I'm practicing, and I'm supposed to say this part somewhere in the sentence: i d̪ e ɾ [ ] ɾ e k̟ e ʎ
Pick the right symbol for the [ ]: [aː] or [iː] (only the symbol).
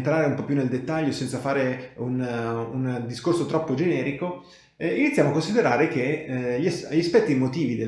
aː